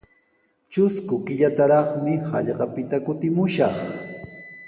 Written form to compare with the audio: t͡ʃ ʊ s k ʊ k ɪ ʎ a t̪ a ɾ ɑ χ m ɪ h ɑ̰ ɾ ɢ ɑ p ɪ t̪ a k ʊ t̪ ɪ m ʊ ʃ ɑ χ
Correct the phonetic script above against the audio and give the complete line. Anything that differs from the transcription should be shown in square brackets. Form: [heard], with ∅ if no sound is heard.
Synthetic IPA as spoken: t͡ʃ ʊ s k ʊ k ɪ ʎ a t̪ a ɾ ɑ χ m ɪ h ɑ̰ [ʎ] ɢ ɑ p ɪ t̪ a k ʊ t̪ ɪ m ʊ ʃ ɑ χ